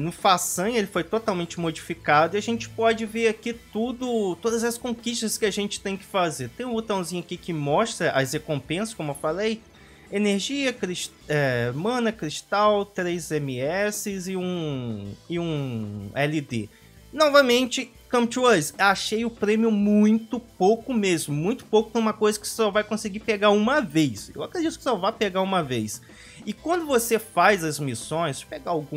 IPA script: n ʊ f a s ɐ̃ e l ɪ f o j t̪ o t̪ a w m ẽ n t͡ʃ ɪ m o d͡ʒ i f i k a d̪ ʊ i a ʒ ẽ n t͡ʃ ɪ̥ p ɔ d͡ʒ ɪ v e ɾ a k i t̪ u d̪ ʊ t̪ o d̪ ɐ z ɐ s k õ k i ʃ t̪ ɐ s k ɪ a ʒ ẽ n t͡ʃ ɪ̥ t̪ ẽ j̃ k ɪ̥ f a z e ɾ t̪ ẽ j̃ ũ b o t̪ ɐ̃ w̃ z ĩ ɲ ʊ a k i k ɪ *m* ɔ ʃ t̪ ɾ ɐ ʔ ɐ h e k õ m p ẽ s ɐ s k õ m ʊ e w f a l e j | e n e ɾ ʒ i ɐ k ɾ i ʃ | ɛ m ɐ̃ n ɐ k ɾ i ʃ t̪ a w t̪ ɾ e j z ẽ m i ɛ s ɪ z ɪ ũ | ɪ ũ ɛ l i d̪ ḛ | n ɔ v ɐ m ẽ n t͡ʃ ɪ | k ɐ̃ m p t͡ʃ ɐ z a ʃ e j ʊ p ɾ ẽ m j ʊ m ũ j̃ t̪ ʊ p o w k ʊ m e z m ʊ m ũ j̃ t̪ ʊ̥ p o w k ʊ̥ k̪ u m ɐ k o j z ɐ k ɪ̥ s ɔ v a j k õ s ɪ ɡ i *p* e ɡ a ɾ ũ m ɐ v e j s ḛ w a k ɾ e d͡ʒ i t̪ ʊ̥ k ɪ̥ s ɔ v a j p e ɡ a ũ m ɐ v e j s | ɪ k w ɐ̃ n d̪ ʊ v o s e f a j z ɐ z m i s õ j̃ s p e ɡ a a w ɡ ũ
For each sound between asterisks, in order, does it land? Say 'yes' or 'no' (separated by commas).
yes, yes